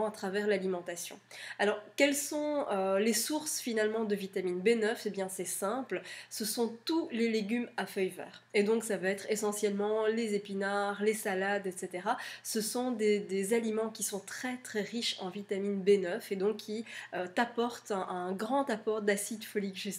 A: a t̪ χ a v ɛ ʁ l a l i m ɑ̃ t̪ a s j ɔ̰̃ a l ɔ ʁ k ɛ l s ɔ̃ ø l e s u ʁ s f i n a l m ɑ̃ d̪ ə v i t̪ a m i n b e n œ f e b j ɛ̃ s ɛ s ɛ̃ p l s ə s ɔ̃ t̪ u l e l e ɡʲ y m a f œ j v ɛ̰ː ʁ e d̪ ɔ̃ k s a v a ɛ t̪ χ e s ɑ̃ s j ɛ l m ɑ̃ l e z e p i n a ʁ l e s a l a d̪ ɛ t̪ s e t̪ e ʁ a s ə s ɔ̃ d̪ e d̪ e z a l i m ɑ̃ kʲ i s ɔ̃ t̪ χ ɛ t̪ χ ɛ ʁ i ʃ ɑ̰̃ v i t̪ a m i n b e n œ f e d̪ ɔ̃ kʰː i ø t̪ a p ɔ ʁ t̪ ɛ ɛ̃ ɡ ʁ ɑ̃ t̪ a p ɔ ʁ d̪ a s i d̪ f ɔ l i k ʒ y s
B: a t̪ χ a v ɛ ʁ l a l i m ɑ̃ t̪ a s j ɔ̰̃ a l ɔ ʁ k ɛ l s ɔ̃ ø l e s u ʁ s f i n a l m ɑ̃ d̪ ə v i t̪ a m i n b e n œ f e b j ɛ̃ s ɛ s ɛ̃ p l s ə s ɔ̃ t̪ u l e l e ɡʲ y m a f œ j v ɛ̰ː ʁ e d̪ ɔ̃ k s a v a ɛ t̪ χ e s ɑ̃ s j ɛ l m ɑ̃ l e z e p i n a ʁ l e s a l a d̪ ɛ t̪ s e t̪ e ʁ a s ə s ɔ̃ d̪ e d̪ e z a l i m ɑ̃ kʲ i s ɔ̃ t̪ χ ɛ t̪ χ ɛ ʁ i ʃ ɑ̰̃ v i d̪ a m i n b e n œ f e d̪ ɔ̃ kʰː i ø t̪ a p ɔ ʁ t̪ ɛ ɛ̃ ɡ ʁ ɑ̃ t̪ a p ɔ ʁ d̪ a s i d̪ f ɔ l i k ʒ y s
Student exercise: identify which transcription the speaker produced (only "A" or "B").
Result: A